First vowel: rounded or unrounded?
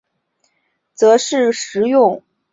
unrounded